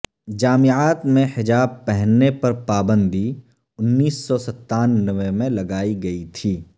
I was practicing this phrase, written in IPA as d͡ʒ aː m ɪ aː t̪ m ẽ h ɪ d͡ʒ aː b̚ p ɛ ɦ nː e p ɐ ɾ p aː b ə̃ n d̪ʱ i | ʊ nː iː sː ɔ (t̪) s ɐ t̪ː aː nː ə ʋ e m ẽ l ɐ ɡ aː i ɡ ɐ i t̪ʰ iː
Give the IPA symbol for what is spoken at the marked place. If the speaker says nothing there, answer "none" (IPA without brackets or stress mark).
none